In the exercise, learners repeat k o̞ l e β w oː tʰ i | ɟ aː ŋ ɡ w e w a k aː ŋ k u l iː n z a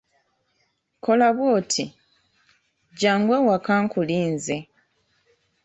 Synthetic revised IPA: k o̞ l a β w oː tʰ i | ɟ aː ŋ ɡ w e w a k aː ŋ k u l iː n z e